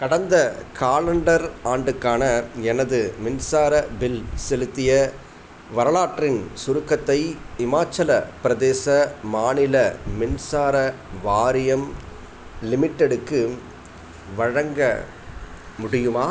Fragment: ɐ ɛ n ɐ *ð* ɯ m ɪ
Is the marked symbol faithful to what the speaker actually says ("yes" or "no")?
yes